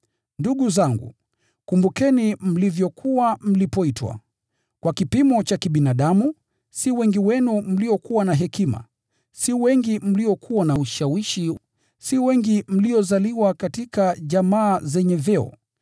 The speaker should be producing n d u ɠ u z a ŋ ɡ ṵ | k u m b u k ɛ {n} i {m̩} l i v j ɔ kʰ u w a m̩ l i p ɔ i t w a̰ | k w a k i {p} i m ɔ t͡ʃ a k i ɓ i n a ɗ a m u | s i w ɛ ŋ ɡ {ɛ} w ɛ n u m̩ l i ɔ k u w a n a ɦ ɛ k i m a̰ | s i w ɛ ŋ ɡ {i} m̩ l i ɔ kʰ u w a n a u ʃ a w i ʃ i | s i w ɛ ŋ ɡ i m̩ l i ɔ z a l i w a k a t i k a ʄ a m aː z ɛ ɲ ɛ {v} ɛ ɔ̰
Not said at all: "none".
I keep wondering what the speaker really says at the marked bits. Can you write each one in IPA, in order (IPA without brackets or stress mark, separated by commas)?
n, m̩, p, i, i, v